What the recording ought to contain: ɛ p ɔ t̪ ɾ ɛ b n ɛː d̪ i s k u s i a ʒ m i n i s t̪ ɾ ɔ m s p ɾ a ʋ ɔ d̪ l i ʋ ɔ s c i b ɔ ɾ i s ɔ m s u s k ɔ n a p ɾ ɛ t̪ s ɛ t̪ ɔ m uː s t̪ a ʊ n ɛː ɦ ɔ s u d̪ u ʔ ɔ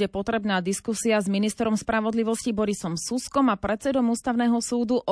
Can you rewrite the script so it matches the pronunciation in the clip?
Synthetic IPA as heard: ɛ p ɔ t̪ ɾ ɛ b n aː d̪ i s k u s i a z m i n i s t̪ ɾ ɔ m s p ɾ a ʋ ɔ d̪ l i ʋ ɔ s c i b ɔ ɾ i s ɔ m s u s k ɔ m a p ɾ ɛ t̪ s ɛ d̪ ɔ m uː s t̪ a ʊ n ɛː ɦ ɔ s uː d̪ u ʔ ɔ